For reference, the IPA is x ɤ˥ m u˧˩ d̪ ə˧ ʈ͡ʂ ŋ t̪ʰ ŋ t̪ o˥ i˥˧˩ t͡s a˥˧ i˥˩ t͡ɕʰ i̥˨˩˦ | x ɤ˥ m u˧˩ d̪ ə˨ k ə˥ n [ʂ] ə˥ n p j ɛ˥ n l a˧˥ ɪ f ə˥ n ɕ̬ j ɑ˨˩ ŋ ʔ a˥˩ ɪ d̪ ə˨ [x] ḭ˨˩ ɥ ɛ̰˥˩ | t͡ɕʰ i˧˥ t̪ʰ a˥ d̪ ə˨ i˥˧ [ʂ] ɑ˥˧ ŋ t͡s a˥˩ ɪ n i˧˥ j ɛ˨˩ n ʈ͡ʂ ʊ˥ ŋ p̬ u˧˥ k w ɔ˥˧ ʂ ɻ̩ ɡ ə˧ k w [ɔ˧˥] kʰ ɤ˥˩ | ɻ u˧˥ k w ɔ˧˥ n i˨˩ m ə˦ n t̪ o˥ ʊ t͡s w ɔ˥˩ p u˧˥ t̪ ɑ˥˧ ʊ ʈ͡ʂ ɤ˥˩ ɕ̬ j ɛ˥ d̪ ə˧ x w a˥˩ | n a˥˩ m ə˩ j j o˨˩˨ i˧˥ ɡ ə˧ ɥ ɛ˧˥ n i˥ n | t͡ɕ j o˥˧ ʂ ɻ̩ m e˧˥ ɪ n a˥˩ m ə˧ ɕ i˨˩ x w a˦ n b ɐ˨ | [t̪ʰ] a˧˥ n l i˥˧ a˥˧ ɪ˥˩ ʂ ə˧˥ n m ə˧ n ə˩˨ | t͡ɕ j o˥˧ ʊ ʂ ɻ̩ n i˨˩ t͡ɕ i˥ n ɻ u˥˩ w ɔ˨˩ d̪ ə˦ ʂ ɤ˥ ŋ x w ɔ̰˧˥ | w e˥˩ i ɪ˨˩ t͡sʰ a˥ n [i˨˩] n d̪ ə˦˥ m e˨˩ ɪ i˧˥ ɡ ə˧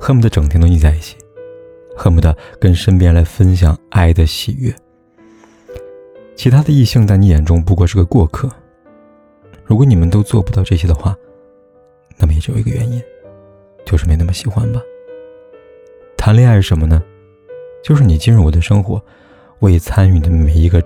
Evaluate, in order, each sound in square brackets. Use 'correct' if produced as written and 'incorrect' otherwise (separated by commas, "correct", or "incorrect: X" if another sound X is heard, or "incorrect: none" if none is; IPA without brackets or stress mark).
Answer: correct, incorrect: ɕ, incorrect: ɕ, incorrect: ɔ˥˧, correct, incorrect: y˨˩